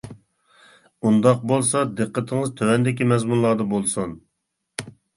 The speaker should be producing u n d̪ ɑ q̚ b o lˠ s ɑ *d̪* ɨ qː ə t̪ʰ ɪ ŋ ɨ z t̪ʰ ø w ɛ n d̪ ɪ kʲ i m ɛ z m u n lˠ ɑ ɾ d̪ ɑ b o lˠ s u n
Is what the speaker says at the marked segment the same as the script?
yes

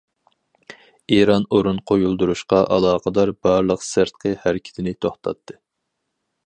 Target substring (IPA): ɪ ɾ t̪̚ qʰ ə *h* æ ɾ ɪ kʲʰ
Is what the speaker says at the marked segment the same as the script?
yes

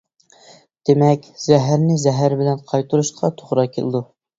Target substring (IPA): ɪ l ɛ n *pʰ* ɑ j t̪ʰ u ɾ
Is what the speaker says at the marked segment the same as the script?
no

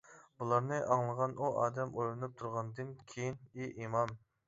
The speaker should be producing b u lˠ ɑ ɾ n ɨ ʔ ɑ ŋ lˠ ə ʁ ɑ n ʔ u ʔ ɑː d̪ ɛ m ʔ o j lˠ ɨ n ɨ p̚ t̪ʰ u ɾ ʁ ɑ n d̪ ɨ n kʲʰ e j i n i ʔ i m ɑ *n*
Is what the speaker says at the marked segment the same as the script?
no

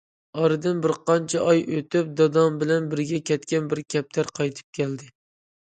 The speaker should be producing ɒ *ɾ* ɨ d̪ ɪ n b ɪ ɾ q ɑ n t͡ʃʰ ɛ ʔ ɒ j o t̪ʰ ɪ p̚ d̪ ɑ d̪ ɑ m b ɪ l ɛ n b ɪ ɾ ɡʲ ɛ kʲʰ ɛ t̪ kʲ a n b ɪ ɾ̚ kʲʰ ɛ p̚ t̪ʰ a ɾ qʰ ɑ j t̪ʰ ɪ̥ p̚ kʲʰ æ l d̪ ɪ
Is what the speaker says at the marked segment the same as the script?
yes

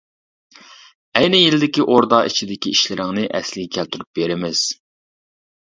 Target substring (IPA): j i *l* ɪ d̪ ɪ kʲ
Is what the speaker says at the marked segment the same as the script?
yes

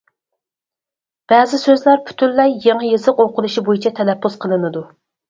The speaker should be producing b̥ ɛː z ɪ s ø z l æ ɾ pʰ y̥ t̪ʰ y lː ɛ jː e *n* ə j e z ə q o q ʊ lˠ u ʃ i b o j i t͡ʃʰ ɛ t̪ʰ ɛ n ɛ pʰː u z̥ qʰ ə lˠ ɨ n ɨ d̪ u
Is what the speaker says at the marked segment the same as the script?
no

